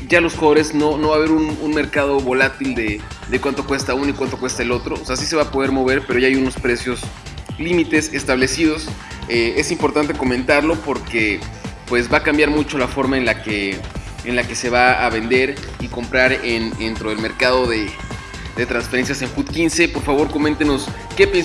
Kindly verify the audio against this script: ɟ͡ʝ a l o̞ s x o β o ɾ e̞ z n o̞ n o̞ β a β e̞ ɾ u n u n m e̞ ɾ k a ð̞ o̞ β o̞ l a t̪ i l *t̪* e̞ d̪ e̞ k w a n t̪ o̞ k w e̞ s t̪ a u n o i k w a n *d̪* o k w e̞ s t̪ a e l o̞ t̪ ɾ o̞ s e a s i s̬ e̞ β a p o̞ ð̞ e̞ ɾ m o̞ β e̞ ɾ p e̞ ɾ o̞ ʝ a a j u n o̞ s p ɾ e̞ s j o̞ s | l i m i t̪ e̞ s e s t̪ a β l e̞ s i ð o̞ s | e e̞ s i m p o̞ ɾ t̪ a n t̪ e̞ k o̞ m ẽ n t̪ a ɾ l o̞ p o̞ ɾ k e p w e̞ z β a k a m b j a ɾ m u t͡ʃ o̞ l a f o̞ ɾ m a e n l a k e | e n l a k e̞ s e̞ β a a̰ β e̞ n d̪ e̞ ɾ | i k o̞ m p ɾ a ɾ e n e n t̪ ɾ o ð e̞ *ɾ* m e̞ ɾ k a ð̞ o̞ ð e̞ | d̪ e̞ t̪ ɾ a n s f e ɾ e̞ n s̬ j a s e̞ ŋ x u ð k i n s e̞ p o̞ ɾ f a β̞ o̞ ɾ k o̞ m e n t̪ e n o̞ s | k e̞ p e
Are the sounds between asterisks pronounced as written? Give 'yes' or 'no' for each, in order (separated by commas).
no, no, no